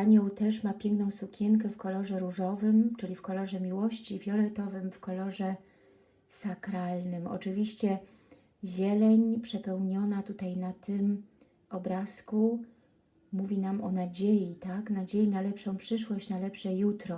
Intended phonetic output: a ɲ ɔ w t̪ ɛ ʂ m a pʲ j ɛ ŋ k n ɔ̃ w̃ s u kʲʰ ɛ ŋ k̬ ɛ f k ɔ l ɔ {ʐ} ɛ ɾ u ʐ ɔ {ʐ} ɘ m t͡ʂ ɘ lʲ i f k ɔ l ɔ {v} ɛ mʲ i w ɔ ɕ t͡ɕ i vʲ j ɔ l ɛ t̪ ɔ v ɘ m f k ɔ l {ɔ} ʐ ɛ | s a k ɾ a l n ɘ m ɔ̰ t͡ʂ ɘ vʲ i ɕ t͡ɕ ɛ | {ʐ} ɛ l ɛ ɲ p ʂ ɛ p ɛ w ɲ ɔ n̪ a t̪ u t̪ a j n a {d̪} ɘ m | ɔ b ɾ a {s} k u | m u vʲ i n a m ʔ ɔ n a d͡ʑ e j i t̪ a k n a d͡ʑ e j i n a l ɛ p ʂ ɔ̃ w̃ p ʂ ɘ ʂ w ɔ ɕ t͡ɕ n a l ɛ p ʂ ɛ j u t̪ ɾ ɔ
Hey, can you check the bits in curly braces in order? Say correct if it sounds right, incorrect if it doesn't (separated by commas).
correct, incorrect, incorrect, correct, incorrect, incorrect, correct